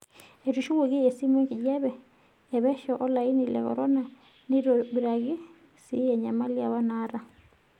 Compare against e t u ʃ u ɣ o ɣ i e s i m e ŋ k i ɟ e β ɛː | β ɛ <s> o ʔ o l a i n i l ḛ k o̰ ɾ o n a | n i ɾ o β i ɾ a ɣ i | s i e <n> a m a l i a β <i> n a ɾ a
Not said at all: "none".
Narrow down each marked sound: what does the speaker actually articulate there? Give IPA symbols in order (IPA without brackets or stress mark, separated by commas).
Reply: ʃ, ɲ, a